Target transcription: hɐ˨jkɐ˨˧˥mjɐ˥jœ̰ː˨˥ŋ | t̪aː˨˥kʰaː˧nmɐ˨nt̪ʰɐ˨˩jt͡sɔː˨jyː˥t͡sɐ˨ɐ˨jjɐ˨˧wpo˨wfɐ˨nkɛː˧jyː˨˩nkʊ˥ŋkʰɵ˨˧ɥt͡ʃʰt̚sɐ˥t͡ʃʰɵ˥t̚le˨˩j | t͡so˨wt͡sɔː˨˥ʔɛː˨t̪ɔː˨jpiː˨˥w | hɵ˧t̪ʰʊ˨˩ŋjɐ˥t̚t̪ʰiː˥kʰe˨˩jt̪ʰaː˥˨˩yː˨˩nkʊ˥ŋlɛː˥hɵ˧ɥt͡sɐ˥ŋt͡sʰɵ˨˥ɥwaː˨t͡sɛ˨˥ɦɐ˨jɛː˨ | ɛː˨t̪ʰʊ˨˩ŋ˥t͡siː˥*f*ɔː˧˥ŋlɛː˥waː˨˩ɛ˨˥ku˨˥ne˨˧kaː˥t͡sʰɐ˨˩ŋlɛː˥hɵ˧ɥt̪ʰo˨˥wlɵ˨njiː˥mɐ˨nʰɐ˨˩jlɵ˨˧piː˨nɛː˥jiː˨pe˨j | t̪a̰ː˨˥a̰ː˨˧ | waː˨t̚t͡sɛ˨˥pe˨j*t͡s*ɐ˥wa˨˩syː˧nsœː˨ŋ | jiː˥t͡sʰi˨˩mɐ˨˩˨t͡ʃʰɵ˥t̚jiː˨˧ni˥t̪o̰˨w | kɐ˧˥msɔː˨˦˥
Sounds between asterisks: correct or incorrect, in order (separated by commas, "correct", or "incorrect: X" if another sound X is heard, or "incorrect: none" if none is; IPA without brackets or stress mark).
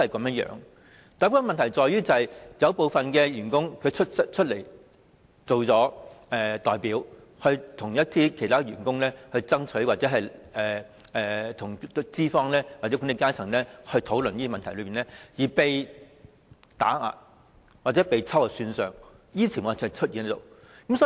correct, incorrect: t͡sʰ